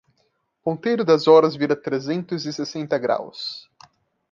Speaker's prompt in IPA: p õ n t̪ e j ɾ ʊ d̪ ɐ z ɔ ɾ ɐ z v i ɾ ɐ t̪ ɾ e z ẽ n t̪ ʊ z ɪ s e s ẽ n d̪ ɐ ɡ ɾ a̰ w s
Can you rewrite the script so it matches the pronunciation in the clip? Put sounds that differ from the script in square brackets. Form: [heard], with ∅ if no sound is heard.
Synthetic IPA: p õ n t̪ e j ɾ ʊ d̪ ɐ z ɔ ɾ ɐ z v i ɾ ɐ t̪ ɾ e z ẽ n t̪ ʊ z ɪ s e s ẽ n [t̪] ɐ ɡ ɾ a̰ w s